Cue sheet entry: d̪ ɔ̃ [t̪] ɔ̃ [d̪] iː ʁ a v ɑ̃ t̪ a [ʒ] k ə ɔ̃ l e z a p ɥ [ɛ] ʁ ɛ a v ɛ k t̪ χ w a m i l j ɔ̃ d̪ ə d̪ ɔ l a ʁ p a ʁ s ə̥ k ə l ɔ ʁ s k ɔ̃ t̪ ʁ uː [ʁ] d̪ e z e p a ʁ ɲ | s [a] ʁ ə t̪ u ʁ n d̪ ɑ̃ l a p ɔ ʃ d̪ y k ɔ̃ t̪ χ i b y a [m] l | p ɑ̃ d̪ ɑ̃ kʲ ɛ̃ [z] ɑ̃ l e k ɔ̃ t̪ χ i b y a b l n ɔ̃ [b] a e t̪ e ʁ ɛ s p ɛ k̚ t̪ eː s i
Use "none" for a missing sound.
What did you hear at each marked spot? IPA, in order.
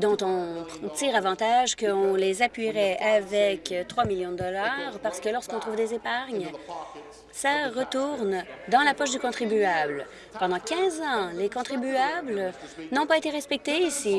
t̪, t̪, ʒ, i, v, a, b, z, p

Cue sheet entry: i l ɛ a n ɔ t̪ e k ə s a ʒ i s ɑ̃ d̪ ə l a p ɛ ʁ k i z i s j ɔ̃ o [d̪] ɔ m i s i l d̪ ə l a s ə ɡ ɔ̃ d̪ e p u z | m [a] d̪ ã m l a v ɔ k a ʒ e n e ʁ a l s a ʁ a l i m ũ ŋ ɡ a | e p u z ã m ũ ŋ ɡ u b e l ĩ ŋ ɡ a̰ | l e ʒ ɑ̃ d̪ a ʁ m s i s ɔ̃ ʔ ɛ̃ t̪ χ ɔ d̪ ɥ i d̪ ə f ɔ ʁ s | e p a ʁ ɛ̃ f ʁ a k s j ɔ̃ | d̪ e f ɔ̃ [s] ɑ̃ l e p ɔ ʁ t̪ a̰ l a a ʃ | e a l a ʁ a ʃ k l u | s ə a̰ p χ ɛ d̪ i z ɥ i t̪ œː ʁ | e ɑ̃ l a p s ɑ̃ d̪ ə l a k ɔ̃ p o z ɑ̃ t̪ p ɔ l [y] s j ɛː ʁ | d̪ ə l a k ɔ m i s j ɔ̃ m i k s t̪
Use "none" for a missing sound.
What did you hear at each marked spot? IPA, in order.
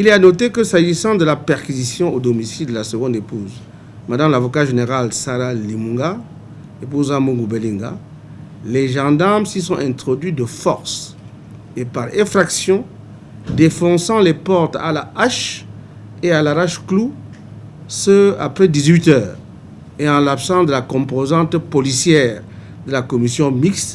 d̪, a, s, i

